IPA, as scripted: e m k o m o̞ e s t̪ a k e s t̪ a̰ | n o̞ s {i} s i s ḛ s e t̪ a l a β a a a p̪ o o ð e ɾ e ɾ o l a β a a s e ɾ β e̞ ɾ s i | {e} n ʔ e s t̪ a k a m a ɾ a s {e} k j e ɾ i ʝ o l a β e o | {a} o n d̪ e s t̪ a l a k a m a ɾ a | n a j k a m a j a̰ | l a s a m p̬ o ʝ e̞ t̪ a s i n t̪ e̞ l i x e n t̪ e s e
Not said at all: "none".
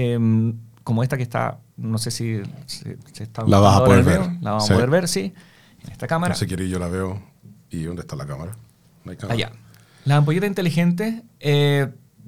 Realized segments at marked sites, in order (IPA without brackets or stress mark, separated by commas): e, e, e, i